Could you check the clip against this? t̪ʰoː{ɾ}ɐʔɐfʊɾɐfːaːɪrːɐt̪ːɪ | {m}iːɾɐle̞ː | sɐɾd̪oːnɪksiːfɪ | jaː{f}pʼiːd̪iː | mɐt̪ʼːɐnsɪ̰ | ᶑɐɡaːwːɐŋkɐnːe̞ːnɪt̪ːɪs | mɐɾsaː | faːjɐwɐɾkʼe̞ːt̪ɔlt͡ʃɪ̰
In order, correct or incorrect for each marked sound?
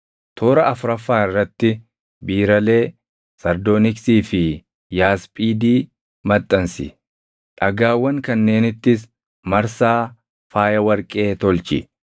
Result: correct, incorrect, incorrect

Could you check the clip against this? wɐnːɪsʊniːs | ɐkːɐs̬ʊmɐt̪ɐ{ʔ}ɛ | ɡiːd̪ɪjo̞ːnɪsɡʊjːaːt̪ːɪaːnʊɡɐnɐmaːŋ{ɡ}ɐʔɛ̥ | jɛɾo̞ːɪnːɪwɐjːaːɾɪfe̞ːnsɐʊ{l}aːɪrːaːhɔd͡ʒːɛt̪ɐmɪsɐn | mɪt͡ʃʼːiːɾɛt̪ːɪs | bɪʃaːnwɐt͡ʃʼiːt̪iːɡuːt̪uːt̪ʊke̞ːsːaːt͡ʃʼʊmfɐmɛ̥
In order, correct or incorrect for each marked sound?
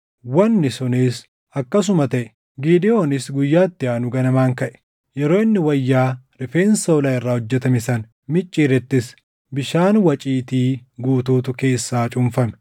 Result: correct, incorrect, correct

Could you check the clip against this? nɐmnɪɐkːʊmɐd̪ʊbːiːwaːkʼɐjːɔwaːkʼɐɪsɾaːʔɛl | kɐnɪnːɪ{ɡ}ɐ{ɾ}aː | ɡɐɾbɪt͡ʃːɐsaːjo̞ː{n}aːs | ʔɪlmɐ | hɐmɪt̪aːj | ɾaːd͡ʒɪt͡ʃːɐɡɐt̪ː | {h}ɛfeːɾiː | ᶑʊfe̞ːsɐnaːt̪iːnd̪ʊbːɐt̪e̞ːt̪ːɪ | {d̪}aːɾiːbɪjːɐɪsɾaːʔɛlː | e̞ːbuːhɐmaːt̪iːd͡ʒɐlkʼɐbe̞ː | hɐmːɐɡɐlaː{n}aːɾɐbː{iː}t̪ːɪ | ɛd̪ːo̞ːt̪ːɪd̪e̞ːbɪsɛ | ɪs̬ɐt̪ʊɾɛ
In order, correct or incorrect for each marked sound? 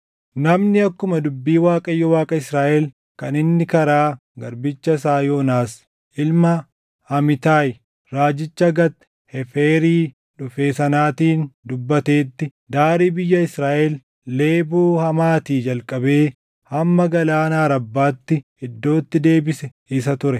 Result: incorrect, correct, correct, correct, correct, correct, incorrect

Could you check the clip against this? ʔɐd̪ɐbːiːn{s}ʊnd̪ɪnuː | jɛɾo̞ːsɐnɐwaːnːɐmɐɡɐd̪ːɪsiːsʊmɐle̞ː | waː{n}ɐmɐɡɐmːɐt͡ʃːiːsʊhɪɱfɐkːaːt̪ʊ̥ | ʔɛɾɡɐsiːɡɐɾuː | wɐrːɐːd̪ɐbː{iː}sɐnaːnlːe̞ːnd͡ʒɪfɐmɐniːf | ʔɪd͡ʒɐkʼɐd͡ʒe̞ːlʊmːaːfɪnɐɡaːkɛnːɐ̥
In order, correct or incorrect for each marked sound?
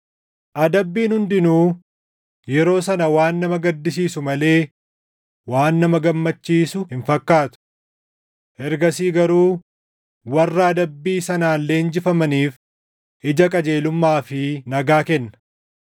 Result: incorrect, incorrect, correct

